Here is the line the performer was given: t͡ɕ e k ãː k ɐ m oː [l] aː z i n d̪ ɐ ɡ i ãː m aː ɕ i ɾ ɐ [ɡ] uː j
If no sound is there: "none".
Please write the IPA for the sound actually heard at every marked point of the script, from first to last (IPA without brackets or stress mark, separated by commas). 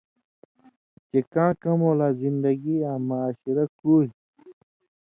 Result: l, k